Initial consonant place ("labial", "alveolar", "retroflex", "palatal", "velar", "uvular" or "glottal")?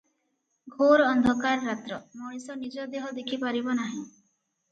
velar